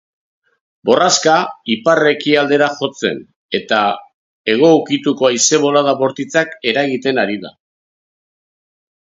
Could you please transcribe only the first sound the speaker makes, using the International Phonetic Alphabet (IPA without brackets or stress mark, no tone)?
b